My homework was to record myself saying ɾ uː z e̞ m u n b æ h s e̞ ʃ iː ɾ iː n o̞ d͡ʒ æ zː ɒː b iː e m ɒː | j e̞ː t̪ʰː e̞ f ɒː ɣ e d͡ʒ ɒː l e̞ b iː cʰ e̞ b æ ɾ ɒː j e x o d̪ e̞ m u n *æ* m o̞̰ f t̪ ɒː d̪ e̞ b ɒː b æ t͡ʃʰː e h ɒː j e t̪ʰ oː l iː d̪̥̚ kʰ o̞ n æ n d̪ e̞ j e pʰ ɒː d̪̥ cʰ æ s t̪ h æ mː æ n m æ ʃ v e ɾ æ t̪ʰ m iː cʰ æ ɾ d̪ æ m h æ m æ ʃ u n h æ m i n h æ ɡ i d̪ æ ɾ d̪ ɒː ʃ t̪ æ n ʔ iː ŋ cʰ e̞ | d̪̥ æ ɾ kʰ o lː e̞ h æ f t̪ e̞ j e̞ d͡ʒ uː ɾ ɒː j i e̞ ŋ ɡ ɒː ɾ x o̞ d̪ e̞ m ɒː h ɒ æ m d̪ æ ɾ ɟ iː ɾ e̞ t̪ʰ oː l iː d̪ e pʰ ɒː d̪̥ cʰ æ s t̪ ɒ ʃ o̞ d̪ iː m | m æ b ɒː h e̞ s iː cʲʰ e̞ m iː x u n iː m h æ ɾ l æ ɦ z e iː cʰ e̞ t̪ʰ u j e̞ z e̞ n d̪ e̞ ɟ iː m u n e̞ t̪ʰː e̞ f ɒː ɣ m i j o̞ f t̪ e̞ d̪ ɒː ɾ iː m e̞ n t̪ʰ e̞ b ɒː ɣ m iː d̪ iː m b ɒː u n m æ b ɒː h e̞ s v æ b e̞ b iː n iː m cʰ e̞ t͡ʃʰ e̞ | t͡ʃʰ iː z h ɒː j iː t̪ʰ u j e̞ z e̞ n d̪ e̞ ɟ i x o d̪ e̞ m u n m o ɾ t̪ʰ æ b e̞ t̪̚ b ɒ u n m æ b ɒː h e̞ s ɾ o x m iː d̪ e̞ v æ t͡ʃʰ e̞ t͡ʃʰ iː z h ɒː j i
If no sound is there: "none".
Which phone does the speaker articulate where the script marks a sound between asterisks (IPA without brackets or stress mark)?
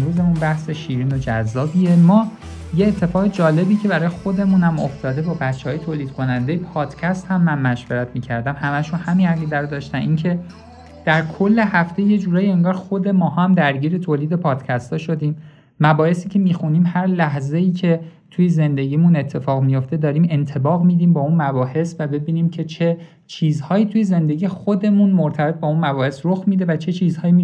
æ